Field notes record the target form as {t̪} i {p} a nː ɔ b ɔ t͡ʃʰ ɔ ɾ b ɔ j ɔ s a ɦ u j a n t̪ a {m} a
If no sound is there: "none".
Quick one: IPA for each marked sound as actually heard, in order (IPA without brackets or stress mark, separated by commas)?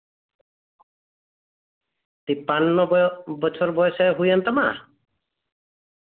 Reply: t̪, p, m